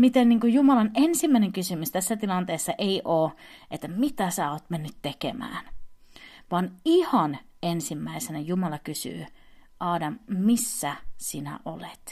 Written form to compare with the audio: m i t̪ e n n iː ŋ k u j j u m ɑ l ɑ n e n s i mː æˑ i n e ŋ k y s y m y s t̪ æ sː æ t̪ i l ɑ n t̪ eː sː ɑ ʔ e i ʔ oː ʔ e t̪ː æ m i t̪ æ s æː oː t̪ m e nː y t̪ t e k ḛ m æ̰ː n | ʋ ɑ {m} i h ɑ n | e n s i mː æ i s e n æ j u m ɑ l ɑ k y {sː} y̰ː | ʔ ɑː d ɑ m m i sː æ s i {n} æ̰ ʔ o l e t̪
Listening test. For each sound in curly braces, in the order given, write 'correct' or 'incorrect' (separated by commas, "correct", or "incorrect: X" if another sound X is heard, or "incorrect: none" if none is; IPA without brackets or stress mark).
incorrect: n, incorrect: s, correct